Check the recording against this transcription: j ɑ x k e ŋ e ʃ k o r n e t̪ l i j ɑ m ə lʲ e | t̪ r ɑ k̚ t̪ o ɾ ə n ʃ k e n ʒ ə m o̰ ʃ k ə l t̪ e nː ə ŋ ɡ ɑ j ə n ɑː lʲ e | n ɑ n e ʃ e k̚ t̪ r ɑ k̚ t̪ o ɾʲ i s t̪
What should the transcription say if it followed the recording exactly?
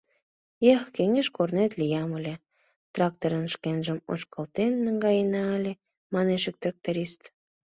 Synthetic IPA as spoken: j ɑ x k e ŋ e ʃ k o r n e t̪ l i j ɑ m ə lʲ e | t̪ r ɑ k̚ t̪ o ɾ ə n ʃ k e n ʒ ə m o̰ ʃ k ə l t̪ e nː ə ŋ ɡ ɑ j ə n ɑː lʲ e | m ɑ n e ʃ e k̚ t̪ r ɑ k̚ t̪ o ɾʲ i s t̪